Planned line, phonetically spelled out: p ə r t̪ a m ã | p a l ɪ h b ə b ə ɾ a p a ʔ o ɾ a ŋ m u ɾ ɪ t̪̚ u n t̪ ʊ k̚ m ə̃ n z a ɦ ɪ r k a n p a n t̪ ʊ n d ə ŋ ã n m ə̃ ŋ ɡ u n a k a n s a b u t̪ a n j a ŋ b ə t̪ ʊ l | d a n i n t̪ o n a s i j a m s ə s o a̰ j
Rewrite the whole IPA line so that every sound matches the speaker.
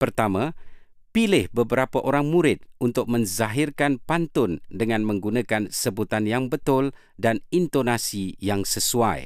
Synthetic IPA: p ə r t̪ a m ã | p i l ɪ h b ə b ə ɾ a p a ʔ o ɾ a ŋ m u ɾ ɪ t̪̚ u n t̪ ʊ k̚ m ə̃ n z a ɦ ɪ r k a n p a n t̪ ʊ n d ə ŋ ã n m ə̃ ŋ ɡ u n a k a n s ə b u t̪ a n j a ŋ b ə t̪ ʊ l | d a n i n t̪ o n a s i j a ŋ s ə s u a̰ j